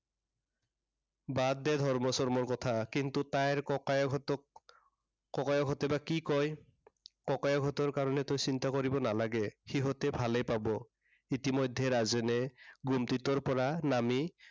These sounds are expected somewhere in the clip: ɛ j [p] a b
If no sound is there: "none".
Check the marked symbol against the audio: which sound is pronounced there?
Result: p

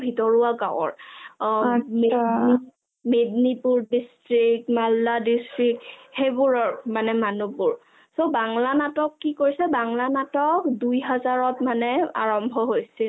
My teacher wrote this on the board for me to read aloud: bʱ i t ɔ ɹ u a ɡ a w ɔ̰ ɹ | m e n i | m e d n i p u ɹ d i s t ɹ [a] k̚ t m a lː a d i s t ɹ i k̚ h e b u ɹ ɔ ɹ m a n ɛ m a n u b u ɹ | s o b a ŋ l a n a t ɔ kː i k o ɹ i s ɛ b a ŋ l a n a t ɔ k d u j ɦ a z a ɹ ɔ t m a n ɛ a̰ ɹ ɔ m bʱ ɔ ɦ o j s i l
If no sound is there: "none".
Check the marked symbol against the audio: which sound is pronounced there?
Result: i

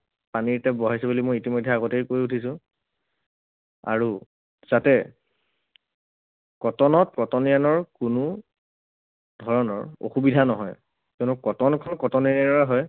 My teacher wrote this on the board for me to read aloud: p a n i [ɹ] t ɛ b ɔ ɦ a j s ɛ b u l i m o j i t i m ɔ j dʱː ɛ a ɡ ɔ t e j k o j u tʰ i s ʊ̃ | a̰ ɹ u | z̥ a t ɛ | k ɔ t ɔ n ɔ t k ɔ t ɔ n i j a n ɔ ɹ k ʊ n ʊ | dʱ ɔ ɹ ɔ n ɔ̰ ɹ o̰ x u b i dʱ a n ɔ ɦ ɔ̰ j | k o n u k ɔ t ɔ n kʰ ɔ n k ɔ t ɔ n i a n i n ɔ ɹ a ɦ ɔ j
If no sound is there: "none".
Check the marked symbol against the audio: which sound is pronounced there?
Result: ɹ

